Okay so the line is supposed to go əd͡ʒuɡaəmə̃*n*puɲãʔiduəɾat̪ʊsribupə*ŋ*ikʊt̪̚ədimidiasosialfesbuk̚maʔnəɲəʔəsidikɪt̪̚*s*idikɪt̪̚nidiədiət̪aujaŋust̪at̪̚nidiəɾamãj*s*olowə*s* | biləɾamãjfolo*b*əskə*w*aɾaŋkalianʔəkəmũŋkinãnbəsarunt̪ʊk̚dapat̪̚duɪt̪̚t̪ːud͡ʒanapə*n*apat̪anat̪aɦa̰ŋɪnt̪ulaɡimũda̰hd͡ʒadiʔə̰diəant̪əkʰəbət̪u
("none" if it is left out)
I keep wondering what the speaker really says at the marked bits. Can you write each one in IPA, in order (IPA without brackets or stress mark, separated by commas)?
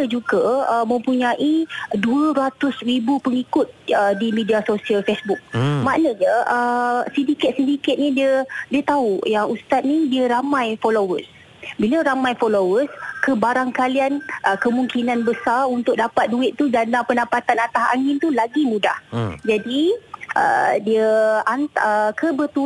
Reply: m, ŋ, s, f, s, w, b, n